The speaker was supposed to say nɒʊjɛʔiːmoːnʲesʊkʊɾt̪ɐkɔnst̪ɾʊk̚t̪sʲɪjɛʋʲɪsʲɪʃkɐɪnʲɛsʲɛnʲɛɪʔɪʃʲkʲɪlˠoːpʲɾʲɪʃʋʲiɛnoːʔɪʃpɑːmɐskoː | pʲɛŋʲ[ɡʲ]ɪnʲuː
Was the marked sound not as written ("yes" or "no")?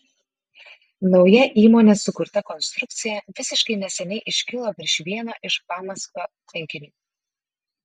yes